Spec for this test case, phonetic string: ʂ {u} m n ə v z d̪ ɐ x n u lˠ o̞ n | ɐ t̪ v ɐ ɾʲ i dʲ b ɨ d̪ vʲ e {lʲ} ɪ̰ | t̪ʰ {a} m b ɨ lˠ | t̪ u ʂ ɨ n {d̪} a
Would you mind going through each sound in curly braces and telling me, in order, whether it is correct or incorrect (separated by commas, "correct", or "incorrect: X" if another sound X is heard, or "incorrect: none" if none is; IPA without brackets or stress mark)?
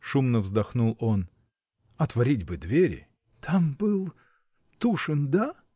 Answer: correct, incorrect: ɾʲ, correct, correct